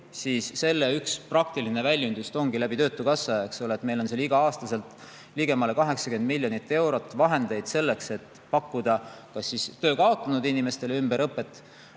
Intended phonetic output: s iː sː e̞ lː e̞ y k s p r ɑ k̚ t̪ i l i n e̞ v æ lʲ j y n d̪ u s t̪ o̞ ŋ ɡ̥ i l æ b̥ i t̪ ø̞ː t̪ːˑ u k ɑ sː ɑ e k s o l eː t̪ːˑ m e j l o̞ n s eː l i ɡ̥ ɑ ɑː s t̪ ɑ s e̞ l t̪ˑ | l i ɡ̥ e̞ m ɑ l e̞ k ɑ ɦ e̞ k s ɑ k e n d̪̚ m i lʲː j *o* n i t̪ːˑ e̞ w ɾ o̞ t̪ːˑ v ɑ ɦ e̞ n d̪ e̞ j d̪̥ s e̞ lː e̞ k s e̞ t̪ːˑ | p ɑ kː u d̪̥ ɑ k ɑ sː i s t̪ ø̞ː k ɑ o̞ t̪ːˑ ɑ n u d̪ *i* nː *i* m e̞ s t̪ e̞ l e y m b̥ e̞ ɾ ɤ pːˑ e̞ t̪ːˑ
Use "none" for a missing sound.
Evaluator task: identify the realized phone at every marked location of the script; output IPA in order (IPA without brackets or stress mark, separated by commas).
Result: o, i, i